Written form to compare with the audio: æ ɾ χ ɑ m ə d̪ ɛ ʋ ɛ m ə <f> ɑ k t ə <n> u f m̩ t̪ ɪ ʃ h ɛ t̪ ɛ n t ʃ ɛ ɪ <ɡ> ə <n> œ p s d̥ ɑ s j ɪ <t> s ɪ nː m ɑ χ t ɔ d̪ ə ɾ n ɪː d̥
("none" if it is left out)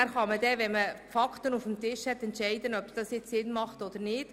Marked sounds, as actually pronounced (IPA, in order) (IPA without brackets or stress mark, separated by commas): f, n, d, n, t͡s